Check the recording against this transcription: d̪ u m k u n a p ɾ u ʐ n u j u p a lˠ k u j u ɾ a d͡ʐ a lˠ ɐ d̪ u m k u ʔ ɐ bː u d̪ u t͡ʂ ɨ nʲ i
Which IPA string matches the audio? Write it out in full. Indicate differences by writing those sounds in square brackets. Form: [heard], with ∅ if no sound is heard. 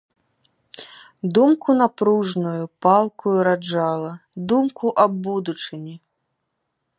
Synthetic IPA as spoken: d̪ u m k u n a p ɾ u ʐ n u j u p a lˠ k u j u ɾ a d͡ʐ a lˠ ɐ d̪ u m k u ʔ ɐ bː u d̪ u t͡ʂ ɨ nʲ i